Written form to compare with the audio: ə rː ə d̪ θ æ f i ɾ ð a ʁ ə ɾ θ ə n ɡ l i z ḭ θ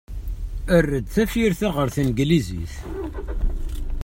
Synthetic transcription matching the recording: ə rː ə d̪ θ æ f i ɾ θ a ʁ ə ɾ θ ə n ɡ l i z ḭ θ